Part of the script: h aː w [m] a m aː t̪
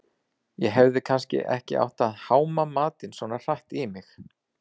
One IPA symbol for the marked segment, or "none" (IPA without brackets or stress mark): m